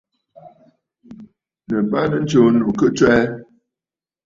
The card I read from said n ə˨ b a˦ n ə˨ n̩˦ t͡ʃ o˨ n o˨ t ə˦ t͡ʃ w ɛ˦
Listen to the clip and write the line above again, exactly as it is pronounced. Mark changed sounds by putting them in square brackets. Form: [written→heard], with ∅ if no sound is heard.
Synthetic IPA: n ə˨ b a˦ n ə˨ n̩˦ t͡ʃ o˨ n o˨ [t→k] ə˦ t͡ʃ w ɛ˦

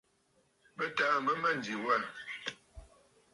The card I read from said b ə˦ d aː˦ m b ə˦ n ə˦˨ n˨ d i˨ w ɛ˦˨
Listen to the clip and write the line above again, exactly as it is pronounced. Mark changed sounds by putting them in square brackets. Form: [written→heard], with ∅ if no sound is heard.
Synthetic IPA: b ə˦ [d→t] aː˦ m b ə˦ [n→m] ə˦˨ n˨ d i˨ w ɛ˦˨

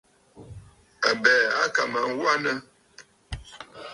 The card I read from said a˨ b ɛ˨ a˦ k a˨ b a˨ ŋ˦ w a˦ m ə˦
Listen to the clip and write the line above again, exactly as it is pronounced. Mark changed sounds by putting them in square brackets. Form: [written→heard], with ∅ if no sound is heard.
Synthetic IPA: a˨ b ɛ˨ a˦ k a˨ [b→m] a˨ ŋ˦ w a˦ [m→n] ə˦

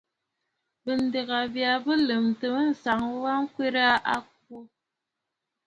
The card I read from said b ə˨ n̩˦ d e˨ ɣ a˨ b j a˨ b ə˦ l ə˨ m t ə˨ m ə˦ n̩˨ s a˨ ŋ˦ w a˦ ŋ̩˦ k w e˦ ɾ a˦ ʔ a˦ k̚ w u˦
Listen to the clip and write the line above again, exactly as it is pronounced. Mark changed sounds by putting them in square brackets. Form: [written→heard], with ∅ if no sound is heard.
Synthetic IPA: b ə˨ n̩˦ d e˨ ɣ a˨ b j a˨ b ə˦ l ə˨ m t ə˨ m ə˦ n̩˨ s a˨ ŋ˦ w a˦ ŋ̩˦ k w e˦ ɾ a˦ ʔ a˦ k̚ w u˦

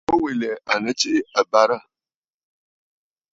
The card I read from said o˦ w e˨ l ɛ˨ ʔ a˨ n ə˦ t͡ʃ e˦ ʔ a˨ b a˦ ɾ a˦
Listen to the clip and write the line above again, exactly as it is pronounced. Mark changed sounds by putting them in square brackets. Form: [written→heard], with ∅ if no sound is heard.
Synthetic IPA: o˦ w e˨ l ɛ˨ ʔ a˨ n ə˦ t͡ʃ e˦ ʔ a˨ b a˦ ɾ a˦

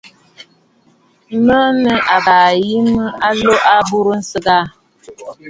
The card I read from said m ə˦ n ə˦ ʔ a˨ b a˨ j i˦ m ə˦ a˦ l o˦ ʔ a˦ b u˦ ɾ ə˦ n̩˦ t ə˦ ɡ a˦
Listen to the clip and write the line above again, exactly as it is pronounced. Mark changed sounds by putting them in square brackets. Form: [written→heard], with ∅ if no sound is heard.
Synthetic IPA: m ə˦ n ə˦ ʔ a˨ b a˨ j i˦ m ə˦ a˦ l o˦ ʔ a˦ b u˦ ɾ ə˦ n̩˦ [t→s] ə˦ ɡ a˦

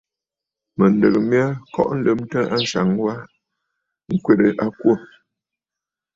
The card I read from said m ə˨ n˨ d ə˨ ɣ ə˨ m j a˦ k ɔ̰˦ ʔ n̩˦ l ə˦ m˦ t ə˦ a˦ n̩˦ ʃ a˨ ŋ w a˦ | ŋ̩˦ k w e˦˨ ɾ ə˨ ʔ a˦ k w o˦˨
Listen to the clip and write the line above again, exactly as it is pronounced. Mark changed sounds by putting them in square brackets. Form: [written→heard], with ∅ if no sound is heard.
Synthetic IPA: m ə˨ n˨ d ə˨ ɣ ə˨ m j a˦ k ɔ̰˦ ʔ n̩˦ l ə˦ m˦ t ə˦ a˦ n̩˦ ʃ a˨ ŋ w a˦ | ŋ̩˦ k w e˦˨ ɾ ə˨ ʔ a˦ k w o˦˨

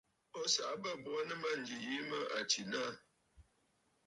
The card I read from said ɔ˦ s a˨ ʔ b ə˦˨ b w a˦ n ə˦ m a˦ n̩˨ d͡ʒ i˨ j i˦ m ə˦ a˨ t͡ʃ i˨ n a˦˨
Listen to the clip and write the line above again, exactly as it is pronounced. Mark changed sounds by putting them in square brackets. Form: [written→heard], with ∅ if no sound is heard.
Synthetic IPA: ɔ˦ s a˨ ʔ b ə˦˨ b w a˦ n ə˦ m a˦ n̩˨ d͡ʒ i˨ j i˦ m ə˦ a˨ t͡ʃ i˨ n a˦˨

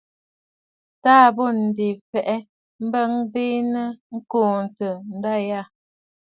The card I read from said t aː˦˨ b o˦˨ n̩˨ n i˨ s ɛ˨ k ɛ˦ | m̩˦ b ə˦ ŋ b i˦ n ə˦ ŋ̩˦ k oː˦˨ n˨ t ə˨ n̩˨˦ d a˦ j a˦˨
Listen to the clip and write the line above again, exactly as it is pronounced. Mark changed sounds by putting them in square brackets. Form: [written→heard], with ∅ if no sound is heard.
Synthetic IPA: t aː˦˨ b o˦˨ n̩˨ [n→d] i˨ [s→f] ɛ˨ [k→ʔ] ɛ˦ | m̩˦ b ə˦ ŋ b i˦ n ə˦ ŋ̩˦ k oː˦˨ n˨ t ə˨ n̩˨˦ d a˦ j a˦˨

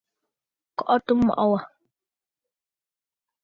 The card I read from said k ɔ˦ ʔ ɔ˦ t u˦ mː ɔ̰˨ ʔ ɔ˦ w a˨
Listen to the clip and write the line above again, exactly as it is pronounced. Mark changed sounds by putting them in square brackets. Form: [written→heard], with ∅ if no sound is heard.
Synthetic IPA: k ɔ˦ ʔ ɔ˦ t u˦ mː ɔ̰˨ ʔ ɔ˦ w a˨

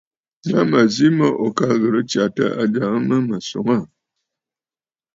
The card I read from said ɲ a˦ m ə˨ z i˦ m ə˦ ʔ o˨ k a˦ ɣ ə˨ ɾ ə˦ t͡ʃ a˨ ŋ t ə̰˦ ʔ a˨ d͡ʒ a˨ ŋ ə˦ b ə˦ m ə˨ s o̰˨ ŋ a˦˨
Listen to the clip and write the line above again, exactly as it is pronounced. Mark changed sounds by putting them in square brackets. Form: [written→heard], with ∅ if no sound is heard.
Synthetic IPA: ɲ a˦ m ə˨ z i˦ m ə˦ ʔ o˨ k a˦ ɣ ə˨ ɾ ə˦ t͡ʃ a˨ [ŋ→∅] t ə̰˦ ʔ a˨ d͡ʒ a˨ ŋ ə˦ [b→m] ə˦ m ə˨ s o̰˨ ŋ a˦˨

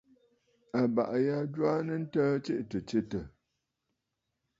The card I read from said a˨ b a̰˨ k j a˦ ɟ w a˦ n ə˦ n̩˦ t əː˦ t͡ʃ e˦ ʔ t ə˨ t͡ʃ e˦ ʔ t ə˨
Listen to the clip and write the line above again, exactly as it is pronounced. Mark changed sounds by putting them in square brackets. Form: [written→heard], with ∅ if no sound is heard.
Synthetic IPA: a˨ b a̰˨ [k→ʔ] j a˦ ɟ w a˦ n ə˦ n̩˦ t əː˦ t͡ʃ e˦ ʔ t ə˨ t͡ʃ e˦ [ʔ→∅] t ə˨

